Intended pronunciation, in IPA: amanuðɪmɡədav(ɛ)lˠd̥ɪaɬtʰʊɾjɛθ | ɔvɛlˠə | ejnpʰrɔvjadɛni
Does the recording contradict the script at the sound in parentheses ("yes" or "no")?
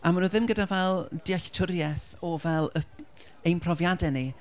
no